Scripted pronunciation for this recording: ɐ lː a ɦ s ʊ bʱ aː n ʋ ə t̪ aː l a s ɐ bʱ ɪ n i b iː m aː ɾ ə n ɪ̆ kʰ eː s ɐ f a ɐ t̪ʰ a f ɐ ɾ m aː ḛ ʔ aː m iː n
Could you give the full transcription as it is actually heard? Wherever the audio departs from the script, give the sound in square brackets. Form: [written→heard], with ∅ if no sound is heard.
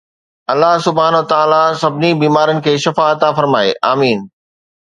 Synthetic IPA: ɐ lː a ɦ s ʊ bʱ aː n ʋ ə t̪ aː l a s ɐ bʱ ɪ n i b iː m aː ɾ ə n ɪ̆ kʰ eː [s→ʃ] ɐ f a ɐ [t̪ʰ→t̪] a f ɐ ɾ m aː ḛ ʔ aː m iː n